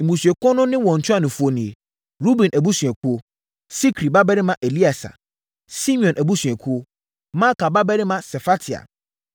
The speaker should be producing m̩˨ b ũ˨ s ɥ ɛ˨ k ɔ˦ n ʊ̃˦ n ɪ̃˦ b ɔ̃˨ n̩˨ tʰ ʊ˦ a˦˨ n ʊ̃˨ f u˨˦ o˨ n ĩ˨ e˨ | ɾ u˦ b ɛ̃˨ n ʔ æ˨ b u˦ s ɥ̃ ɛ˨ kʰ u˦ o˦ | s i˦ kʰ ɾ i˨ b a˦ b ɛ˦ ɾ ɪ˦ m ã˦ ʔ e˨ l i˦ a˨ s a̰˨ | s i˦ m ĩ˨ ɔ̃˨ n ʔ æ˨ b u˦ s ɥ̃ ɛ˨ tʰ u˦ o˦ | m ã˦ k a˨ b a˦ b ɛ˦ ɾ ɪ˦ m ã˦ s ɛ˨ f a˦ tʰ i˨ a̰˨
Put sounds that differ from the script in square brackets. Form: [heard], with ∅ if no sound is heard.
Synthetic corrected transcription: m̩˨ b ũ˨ s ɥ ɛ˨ k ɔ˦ n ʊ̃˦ n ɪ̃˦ [w] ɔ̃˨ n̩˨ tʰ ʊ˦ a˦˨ n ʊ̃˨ f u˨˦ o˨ n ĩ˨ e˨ | ɾ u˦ b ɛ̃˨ n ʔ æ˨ b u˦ s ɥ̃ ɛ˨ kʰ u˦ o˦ | s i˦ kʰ ɾ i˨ b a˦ b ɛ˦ ɾ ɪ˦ m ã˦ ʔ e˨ l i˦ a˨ s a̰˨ | s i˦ m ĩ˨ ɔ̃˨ n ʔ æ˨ b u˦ s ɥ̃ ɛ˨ [kʰ] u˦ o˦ | m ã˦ k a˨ b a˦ b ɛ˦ ɾ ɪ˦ m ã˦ s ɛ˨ f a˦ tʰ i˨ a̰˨

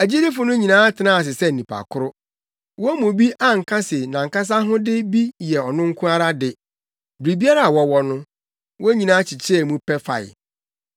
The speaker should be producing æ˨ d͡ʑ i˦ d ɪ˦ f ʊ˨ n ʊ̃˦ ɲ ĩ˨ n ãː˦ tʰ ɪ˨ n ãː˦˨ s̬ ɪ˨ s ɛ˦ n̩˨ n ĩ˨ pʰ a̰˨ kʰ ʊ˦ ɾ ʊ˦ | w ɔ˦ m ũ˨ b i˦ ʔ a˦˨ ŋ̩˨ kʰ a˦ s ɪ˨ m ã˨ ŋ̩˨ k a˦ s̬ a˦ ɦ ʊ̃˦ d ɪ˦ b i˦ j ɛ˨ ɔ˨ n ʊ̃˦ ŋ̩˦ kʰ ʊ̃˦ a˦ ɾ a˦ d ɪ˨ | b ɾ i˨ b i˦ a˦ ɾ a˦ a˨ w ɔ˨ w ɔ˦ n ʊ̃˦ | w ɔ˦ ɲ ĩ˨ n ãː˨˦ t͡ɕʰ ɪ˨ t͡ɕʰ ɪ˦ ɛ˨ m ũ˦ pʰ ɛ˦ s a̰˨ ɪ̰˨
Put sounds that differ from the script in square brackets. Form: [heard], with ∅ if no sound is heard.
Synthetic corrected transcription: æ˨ d͡ʑ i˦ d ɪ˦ f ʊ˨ n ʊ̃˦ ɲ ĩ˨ n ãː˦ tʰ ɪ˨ n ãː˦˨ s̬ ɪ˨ s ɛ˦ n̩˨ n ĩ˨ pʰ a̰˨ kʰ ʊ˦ ɾ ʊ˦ | w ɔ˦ m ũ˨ b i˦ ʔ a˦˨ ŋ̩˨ kʰ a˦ s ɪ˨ [n] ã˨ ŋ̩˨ k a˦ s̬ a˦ ɦ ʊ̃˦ d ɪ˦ b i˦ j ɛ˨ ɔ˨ n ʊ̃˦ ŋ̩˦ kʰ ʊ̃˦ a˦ ɾ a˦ d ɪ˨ | b ɾ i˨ b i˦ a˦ ɾ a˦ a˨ w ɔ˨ w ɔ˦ n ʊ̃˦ | w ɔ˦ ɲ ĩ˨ n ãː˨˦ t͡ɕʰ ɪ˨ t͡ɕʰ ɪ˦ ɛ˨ m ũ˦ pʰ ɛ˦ [f] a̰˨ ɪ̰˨

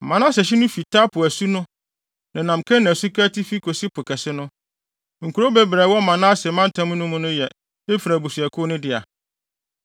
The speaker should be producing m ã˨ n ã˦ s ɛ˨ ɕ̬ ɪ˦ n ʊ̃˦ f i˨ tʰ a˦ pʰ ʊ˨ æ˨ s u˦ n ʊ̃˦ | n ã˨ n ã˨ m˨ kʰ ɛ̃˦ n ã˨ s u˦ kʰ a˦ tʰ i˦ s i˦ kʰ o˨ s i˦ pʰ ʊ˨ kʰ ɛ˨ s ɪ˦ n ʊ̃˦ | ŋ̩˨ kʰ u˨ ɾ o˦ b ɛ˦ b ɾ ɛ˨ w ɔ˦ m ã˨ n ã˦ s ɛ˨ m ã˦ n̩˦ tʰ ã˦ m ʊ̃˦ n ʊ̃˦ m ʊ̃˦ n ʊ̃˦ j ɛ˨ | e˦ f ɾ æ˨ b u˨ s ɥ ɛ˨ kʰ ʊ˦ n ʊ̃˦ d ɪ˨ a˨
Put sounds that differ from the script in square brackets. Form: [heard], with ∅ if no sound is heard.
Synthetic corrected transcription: m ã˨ n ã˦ s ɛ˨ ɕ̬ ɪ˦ n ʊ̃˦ f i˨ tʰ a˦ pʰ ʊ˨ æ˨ s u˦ n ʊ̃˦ | n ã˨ n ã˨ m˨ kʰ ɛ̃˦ n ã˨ s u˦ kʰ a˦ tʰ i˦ [f] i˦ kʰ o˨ s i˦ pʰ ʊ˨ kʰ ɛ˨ s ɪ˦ n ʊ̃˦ | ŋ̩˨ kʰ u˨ ɾ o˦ b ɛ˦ b ɾ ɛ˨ w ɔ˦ m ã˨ n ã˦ s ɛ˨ m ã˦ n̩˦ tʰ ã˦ m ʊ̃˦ n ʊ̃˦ m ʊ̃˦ n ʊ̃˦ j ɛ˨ | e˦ f ɾ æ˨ b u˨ s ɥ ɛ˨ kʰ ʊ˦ n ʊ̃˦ d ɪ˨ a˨

